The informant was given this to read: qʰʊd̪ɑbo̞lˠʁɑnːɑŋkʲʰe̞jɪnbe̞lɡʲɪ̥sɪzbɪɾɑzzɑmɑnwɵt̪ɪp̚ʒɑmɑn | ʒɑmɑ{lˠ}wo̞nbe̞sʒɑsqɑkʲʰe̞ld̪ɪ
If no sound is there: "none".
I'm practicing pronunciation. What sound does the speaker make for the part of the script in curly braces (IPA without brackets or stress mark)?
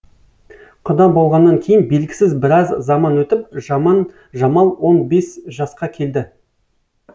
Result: lˠ